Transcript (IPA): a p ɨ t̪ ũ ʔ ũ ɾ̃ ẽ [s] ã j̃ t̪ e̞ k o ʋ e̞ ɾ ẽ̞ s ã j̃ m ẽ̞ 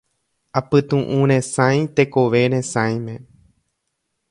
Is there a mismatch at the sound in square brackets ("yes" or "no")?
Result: no